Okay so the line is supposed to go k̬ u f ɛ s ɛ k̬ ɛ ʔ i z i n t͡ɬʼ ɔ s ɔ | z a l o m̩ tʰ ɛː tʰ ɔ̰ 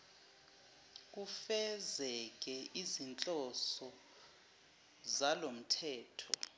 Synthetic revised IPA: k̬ u f ɛ z ɛ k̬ ɛ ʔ i z i n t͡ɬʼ ɔ s ɔ | z a l o m̩ tʰ ɛː tʰ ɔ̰